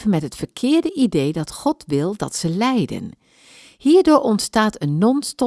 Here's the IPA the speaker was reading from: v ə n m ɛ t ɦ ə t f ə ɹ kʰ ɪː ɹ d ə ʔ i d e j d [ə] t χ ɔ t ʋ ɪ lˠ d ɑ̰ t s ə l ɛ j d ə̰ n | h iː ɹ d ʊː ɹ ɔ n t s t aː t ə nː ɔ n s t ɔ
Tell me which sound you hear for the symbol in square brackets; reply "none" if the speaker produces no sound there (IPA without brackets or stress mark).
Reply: ɑ